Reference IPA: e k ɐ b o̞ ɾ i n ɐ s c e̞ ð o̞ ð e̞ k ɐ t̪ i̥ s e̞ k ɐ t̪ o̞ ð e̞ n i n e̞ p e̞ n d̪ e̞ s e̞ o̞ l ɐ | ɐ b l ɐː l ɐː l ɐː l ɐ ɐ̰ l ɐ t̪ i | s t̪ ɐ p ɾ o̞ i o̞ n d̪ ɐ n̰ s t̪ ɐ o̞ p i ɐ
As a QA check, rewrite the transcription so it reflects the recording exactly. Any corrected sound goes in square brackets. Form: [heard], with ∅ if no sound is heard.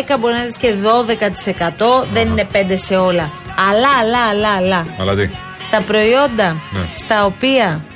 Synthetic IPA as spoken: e k ɐ b o̞ ɾ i n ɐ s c e̞ ð o̞ ð e̞ k ɐ t̪ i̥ s e̞ k ɐ t̪ o̞ ð e̞ n i n e̞ p e̞ n d̪ e̞ s e̞ o̞ l ɐ | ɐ [∅] l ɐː l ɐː l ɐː l ɐ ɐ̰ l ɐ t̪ i | s t̪ ɐ p ɾ o̞ i o̞ n d̪ ɐ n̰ s t̪ ɐ o̞ p i ɐ